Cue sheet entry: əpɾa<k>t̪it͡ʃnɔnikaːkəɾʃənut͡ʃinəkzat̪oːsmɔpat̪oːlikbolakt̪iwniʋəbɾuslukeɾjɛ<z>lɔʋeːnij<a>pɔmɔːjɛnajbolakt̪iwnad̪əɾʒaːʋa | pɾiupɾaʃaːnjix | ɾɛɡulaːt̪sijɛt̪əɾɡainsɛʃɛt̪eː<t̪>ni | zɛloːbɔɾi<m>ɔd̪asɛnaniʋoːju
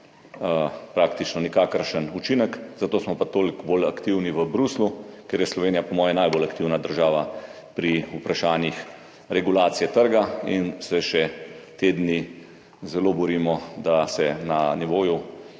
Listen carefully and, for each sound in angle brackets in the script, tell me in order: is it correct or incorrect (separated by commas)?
correct, incorrect, correct, incorrect, correct